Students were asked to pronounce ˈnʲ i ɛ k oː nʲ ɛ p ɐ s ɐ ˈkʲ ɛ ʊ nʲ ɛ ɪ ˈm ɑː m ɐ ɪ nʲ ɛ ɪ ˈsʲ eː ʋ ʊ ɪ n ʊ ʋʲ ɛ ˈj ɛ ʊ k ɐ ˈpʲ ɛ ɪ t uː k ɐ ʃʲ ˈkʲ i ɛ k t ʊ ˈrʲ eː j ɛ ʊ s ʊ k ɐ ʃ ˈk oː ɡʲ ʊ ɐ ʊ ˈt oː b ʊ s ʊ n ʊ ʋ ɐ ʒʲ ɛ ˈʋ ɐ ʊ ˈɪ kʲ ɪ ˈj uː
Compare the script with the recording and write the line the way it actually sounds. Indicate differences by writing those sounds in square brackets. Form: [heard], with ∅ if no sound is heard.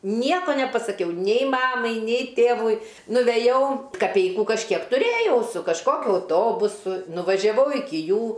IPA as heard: ˈnʲ i ɛ k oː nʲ ɛ p ɐ s ɐ ˈkʲ ɛ ʊ nʲ ɛ ɪ ˈm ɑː m ɐ ɪ nʲ ɛ ɪ [ˈtʲ] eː ʋ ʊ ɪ n ʊ ʋʲ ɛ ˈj ɛ ʊ k ɐ ˈpʲ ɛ ɪ [k] uː k ɐ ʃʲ ˈkʲ i ɛ k t ʊ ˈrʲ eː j ɛ ʊ s ʊ k ɐ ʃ ˈk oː [kʲ] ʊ ɐ ʊ ˈt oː b ʊ s ʊ n ʊ ʋ ɐ ʒʲ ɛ ˈʋ ɐ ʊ ˈɪ kʲ ɪ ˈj uː

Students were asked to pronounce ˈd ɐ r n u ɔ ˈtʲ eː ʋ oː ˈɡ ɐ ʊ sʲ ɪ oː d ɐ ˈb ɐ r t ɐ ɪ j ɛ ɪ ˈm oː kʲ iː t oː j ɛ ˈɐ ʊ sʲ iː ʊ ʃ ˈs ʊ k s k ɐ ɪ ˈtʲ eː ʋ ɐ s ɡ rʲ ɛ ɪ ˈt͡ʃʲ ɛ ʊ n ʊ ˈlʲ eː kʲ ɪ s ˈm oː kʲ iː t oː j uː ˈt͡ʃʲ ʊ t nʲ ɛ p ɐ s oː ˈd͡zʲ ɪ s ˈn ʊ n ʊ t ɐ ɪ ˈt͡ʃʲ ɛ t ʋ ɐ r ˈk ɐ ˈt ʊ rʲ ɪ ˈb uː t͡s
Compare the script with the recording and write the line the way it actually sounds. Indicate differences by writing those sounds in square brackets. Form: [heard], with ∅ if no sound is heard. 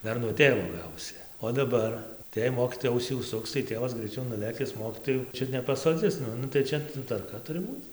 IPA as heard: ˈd ɐ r n u ɔ ˈtʲ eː ʋ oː ˈɡ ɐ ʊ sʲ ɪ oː d ɐ ˈb ɐ r t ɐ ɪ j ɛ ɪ ˈm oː kʲ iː t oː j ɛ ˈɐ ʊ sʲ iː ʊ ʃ ˈs ʊ k s [t] ɐ ɪ ˈtʲ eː ʋ ɐ s ɡ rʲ ɛ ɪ ˈt͡ʃʲ ɛ ʊ n ʊ ˈlʲ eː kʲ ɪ s ˈm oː kʲ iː t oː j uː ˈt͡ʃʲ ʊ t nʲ ɛ p ɐ s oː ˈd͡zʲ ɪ s ˈn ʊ n ʊ t ɐ ɪ ˈt͡ʃʲ ɛ t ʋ ɐ r ˈk ɐ ˈt ʊ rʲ ɪ ˈb uː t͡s

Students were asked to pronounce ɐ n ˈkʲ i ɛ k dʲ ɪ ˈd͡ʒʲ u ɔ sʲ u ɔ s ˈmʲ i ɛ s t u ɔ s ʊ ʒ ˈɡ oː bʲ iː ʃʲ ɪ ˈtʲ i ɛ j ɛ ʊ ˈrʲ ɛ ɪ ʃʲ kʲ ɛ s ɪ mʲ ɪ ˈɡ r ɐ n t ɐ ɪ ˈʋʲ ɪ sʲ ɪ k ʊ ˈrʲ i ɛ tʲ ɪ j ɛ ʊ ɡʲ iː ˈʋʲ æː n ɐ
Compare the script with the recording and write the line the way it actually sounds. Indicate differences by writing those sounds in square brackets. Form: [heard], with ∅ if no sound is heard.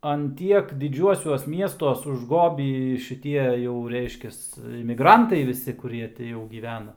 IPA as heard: ɐ n [ˈtʲ] i ɛ k dʲ ɪ ˈd͡ʒʲ u ɔ sʲ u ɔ s ˈmʲ i ɛ s t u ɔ s ʊ ʒ ˈɡ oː bʲ iː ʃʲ ɪ ˈtʲ i ɛ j ɛ ʊ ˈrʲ ɛ ɪ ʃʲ kʲ ɛ s ɪ mʲ ɪ ˈɡ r ɐ n t ɐ ɪ ˈʋʲ ɪ sʲ ɪ k ʊ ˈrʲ i ɛ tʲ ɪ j ɛ ʊ ɡʲ iː ˈʋʲ æː n ɐ

